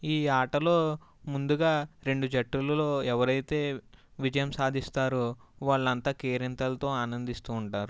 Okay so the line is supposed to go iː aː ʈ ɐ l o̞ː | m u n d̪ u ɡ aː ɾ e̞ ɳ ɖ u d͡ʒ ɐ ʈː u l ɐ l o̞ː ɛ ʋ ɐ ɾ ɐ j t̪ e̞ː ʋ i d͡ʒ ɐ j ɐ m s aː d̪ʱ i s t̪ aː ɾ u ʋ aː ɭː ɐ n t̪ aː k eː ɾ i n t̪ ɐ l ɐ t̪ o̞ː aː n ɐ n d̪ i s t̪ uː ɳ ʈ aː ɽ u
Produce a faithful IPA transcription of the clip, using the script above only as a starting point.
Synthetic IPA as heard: iː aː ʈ ɐ l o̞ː | m u n d̪ u ɡ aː ɾ e̞ ɳ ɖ u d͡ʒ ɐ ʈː u l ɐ l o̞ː ɛ ʋ ɐ ɾ ɐ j t̪ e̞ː ʋ i d͡ʒ ɐ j ɐ m s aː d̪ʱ i s t̪ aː ɾ u ʋ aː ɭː ɐ n t̪ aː k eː ɾ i n t̪ ɐ l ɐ t̪ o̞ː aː n ɐ n d̪ i s t̪ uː ɳ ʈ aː ɾ u